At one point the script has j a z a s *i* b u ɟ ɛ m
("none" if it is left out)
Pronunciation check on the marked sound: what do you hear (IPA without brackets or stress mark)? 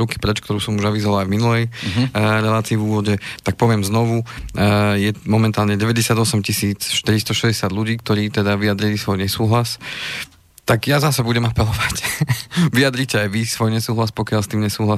ɛ